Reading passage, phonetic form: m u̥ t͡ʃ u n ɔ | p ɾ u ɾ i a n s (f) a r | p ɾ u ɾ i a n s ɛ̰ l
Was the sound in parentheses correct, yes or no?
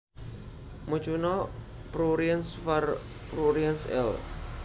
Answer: yes